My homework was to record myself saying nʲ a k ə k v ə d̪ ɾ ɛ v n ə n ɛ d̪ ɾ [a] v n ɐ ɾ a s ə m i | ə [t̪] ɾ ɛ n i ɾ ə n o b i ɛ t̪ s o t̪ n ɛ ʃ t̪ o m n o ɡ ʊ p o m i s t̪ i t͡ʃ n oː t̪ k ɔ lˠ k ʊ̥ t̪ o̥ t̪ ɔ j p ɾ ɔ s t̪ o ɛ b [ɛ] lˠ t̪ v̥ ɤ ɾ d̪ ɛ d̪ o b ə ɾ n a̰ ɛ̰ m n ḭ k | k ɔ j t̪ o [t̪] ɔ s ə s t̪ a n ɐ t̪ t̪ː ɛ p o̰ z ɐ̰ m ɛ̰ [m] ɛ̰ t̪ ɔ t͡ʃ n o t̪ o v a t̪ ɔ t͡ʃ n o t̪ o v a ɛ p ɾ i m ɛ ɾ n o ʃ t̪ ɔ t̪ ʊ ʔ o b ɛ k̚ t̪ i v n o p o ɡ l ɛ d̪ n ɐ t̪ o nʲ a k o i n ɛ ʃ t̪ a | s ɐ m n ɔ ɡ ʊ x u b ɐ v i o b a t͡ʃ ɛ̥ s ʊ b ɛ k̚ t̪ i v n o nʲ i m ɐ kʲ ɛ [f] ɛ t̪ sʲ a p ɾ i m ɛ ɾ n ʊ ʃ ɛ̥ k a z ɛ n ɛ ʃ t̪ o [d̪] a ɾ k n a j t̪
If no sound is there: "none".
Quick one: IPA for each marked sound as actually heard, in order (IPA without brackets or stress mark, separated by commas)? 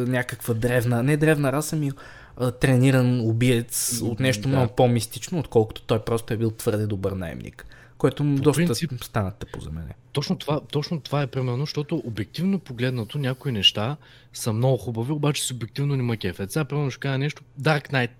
ɛ, t̪, i, d̪, n, f, d̪